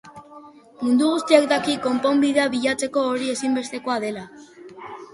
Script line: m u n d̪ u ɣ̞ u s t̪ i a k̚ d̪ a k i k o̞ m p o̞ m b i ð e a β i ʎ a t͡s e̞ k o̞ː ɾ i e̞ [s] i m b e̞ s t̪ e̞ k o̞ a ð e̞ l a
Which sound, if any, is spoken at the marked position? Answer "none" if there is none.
s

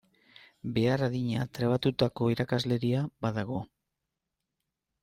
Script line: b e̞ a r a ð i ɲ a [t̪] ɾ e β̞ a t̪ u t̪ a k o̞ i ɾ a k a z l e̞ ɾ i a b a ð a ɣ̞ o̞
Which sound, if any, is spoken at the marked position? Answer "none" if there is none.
t̪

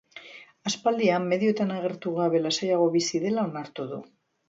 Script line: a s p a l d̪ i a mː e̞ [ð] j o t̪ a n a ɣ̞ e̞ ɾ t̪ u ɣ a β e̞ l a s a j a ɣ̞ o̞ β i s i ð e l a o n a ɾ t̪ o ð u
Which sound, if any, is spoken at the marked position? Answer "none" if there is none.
ð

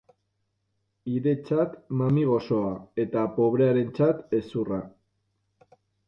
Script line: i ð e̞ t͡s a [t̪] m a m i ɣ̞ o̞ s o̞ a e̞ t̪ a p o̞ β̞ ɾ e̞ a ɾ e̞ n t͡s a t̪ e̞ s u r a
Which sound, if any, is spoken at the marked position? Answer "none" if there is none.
t̪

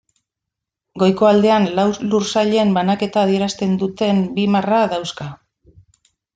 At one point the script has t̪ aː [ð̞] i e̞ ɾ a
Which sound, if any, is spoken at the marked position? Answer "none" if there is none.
ð̞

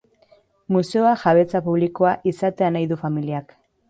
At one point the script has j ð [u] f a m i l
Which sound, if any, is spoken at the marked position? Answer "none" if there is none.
u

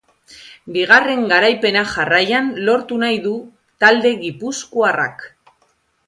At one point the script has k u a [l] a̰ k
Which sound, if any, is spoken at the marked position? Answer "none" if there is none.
r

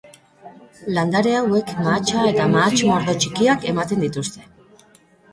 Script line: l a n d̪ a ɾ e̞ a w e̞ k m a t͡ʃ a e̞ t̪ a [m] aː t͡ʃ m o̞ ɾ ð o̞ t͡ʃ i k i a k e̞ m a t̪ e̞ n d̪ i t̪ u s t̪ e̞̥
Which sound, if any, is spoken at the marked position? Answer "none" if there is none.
m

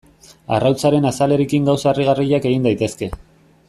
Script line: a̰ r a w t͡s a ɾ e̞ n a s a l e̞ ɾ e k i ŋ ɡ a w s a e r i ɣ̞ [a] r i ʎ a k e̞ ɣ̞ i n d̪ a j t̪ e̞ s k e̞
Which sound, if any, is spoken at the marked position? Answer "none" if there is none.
a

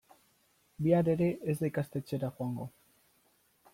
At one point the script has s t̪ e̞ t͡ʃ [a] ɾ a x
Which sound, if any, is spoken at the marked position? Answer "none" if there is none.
e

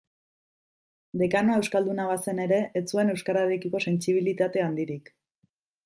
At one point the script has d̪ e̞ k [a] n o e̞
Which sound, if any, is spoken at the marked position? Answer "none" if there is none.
a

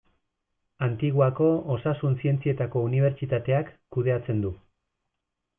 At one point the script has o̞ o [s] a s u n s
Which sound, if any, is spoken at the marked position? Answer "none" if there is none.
s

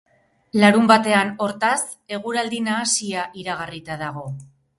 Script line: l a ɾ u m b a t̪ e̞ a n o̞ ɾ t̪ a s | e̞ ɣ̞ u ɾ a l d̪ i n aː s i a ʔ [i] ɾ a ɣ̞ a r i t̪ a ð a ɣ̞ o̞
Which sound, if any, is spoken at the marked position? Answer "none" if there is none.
i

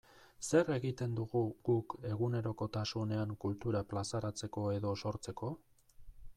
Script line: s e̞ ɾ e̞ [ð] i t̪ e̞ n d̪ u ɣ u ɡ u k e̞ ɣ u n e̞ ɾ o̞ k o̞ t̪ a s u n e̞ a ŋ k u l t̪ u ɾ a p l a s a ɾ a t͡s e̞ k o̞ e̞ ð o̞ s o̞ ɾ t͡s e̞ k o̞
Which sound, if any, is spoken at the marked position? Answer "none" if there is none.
ɣ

